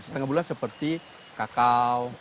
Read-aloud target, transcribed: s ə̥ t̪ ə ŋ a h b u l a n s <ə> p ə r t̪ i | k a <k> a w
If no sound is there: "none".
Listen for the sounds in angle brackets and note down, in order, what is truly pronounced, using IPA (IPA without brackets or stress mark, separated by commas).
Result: ə, k